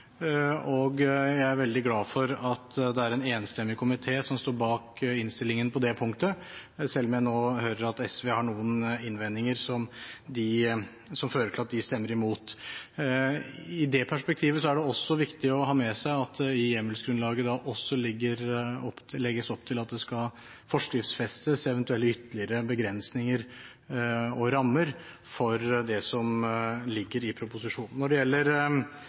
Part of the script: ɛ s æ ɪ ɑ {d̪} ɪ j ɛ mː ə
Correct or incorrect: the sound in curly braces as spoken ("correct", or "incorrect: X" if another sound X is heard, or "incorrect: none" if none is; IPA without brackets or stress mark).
incorrect: t̪